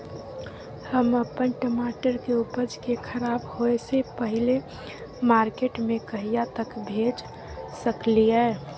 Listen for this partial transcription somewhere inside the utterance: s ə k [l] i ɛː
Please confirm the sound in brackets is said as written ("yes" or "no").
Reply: yes